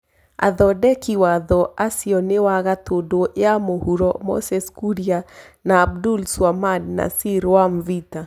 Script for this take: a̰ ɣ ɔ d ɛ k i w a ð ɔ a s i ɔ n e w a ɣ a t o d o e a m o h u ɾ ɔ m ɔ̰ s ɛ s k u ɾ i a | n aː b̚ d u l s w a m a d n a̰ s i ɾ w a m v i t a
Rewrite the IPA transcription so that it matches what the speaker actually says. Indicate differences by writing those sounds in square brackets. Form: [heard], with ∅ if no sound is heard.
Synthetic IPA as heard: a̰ [ð] ɔ d ɛ k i w a ð ɔ a s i ɔ n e w a ɣ a t o d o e a m o h u ɾ ɔ m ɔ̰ s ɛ s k u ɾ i a | n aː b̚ d u l s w a m a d n a̰ s i ɾ w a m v i t a

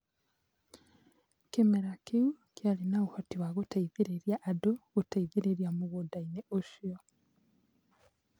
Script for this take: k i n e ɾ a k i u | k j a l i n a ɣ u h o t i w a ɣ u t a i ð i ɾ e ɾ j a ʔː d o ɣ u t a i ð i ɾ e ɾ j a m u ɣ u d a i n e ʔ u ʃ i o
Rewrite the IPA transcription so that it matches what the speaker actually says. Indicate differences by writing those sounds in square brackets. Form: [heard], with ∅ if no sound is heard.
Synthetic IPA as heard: k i [m] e ɾ a k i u | k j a l i n a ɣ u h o t i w a ɣ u t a i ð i ɾ e ɾ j a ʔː d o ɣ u t a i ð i ɾ e ɾ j a m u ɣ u d a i n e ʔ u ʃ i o

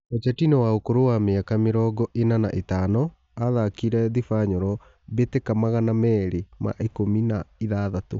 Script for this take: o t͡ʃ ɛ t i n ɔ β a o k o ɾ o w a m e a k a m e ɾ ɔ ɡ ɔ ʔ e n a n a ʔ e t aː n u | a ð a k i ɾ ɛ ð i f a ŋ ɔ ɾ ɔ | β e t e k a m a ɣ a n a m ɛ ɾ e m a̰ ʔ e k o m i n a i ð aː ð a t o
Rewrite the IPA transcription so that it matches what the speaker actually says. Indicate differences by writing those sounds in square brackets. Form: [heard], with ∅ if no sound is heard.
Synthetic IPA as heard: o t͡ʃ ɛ t i n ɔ [w] a o k o ɾ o w a m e a k a m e ɾ ɔ ɡ ɔ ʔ e n a n a ʔ e t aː n [ɔ] | a ð a k i ɾ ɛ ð i f a [ɲ] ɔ ɾ ɔ | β e t e k a m a ɣ a n a m ɛ ɾ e m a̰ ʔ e k o m i n a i ð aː ð a t o

